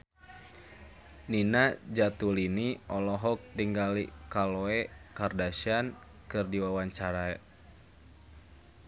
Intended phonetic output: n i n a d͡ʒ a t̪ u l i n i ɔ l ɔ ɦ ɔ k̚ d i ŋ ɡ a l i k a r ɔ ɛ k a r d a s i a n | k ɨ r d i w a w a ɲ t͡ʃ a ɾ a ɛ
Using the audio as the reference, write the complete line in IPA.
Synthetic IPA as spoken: n i n a d͡ʒ a t̪ u l i n i ɔ l ɔ ɦ ɔ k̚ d i ŋ ɡ a l i k a l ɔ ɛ k a r d a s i a n | k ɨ r d i w a w a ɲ t͡ʃ a ɾ a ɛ